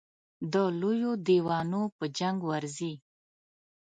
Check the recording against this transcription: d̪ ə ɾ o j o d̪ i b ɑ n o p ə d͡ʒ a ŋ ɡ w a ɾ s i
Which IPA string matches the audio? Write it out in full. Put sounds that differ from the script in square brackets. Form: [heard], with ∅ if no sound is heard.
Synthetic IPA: d̪ ə [l] o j o d̪ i [w] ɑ n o p ə d͡ʒ a ŋ ɡ w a ɾ [z] i